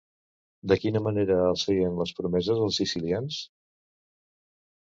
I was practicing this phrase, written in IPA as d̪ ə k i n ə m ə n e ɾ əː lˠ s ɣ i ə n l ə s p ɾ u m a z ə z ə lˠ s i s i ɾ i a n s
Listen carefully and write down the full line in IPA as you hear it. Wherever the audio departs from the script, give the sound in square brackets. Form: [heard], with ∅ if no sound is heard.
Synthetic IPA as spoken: d̪ ə k i n ə m ə n e ɾ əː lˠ s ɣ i ə n l ə s p ɾ u m [ɛ] z ə z ə lˠ s i s i [l] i a n s